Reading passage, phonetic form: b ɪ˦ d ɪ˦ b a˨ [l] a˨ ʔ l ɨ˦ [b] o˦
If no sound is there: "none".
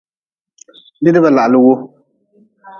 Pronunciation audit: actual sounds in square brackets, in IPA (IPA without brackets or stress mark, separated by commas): l, w